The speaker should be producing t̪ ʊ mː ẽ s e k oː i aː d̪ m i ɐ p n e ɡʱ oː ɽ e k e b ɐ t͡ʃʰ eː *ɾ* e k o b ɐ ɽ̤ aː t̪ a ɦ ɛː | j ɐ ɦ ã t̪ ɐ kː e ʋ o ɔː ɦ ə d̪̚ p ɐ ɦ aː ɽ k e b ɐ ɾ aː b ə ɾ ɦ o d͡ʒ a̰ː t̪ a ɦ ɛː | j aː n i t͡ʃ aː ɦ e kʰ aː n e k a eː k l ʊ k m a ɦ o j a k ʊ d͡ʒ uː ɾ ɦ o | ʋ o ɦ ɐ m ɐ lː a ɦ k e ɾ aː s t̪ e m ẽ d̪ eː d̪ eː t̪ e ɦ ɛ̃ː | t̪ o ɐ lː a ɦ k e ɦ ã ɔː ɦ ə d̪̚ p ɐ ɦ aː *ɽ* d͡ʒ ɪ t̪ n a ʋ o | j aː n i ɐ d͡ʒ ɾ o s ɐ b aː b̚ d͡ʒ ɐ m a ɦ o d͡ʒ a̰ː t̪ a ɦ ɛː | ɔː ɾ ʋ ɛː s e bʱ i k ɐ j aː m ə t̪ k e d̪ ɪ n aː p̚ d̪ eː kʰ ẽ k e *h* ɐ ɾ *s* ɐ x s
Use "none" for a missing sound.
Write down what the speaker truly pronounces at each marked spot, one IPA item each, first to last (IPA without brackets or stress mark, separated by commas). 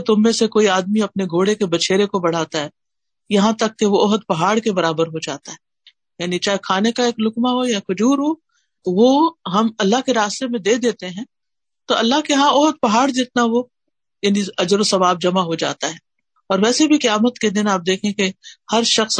ɾ, ɽ, h, ʃ